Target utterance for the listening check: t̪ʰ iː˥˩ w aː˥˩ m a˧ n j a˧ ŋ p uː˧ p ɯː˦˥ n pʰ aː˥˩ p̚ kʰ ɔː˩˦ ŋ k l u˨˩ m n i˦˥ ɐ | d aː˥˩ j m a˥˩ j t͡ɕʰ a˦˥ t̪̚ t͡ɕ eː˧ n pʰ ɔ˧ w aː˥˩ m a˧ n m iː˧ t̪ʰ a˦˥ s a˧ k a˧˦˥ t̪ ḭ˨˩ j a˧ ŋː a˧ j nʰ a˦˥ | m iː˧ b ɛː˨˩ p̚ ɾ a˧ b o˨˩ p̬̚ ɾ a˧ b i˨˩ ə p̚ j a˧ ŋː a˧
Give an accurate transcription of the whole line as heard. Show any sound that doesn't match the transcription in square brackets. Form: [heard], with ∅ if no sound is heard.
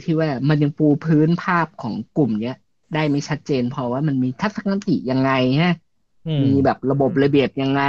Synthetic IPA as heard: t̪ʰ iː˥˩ w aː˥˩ m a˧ n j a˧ ŋ p uː˧ [pʰ] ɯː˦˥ n pʰ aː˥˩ p̚ kʰ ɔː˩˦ ŋ k l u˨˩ m n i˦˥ ɐ | d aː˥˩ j m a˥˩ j t͡ɕʰ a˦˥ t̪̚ t͡ɕ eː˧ n pʰ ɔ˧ w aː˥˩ m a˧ n m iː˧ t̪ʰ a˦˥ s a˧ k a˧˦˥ t̪ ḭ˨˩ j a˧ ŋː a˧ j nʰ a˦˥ | m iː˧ b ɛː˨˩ p̚ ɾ a˧ b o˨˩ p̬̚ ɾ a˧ b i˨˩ ə p̚ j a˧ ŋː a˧